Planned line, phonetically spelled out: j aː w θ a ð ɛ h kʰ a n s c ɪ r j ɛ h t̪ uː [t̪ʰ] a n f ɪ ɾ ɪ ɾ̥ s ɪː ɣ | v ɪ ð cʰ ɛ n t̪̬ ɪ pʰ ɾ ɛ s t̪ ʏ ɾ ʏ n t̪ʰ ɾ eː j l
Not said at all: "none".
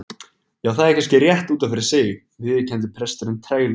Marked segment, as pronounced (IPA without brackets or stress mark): t̪